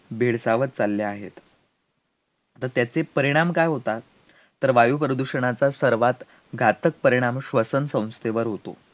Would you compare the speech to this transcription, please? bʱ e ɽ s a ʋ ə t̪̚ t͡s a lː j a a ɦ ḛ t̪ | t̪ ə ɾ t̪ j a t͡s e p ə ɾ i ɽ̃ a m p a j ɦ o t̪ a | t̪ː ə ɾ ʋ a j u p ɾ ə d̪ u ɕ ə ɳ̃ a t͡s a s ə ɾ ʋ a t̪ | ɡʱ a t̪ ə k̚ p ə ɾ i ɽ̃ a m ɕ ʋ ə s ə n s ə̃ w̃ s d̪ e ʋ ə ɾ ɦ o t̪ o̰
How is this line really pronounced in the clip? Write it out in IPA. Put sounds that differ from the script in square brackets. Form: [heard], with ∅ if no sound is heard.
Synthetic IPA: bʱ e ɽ s a ʋ ə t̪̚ t͡s a lː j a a ɦ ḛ t̪ | t̪ ə ɾ t̪ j a t͡s e p ə ɾ i ɽ̃ a m [k] a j ɦ o t̪ a | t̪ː ə ɾ ʋ a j u p ɾ ə d̪ u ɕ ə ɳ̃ a t͡s a s ə ɾ ʋ a t̪ | ɡʱ a t̪ ə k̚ p ə ɾ i ɽ̃ a m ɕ ʋ ə s ə n s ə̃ w̃ s [t̪] e ʋ ə ɾ ɦ o t̪ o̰